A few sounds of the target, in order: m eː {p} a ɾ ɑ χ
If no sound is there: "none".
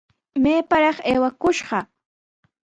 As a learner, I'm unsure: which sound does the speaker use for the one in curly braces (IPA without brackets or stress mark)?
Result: p